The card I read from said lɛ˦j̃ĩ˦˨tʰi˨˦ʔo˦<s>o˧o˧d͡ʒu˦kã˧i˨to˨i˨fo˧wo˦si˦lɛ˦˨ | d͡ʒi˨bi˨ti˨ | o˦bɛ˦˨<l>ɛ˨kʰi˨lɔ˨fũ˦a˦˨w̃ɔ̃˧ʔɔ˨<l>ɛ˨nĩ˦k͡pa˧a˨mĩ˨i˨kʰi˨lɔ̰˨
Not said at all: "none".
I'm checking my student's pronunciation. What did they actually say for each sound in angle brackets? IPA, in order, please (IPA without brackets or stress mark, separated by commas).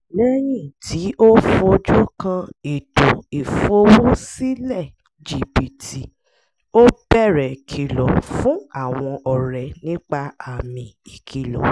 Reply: f, ɾ, ɾ